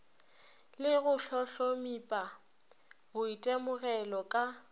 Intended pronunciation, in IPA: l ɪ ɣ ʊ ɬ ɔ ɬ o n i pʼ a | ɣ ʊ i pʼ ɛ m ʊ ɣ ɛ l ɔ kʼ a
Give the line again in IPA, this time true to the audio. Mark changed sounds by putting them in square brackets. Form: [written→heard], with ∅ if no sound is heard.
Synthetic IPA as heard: l ɪ ɣ ʊ ɬ ɔ ɬ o [n→m] i pʼ a | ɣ ʊ i [pʼ→tʼ] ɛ m ʊ ɣ ɛ l ɔ kʼ a